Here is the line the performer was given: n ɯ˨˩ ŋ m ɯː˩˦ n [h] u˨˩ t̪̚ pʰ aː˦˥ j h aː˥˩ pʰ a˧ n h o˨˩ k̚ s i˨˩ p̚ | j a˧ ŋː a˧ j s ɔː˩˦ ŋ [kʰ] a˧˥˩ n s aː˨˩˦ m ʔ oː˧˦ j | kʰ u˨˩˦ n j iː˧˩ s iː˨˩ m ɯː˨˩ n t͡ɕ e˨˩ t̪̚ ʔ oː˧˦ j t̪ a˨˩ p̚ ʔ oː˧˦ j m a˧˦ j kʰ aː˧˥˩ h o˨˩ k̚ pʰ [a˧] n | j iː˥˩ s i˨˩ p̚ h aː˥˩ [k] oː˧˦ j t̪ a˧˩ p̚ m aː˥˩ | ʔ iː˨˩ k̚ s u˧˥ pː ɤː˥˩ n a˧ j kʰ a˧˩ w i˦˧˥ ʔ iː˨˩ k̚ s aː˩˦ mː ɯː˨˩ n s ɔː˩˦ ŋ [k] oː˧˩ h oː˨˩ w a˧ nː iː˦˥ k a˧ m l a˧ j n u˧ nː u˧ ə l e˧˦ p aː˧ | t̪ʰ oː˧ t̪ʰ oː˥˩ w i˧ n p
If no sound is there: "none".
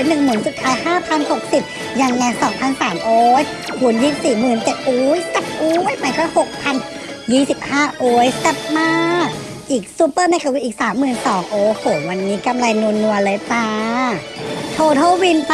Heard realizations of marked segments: s, pʰ, a˧, ʔ, ʔ

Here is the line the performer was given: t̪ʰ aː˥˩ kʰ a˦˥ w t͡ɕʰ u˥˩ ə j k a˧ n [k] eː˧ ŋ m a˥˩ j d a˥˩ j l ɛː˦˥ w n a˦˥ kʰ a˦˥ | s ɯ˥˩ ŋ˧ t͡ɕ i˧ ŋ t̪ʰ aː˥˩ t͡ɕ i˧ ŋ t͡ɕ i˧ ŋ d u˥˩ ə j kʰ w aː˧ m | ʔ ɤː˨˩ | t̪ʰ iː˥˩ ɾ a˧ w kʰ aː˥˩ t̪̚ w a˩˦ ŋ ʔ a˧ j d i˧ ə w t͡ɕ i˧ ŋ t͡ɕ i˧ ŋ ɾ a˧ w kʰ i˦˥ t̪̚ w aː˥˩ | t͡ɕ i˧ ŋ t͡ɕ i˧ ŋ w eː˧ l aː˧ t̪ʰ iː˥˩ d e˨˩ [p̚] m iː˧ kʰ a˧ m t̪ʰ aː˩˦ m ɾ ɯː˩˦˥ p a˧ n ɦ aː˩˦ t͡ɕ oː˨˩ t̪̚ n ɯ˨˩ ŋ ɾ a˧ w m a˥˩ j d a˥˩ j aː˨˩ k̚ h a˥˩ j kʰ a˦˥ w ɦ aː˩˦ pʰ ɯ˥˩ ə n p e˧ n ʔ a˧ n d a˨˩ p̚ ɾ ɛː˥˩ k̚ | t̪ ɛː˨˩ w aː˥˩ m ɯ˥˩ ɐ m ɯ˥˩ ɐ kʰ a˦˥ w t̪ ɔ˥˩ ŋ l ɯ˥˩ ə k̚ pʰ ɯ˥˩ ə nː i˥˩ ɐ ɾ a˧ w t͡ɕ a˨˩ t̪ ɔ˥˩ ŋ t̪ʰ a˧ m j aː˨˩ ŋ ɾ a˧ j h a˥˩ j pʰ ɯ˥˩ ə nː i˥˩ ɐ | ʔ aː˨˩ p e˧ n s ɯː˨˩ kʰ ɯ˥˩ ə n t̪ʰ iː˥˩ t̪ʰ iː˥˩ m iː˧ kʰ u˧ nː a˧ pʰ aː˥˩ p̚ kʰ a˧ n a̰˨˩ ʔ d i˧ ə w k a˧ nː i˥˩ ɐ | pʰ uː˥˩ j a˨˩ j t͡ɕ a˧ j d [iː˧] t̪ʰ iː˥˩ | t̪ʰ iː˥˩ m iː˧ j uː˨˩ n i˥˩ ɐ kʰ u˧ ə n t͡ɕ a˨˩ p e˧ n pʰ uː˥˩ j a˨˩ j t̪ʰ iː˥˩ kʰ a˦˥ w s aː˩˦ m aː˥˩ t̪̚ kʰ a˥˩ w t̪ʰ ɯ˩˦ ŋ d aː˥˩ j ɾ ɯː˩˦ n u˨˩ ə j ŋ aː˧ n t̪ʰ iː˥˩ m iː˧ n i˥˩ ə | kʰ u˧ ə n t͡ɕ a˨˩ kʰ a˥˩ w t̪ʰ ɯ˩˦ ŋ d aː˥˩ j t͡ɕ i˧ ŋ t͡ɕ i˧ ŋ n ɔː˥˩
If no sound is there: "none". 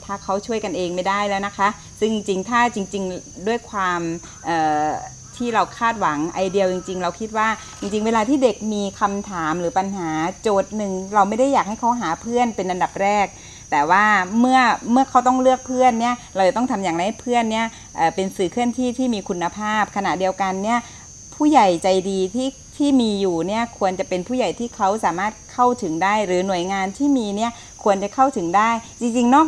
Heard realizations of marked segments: ʔ, k̚, iː˧

